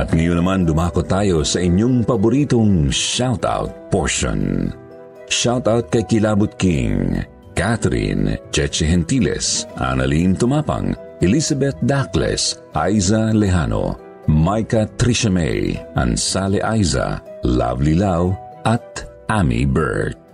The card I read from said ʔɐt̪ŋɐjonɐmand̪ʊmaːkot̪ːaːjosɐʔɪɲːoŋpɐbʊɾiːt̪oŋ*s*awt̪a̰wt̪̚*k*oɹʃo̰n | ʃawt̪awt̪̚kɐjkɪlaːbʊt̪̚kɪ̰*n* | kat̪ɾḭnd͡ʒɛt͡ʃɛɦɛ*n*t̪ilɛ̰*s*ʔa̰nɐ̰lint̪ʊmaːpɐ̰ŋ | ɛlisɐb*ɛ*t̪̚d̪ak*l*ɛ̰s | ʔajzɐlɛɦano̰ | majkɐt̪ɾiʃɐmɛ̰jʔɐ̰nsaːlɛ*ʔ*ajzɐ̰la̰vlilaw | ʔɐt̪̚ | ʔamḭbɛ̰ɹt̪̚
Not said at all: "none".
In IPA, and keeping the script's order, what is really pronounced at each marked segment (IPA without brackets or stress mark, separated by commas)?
ʃ, p, ŋ, n, s, ɛ, l, ʔ